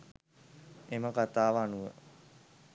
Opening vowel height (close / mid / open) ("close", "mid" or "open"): mid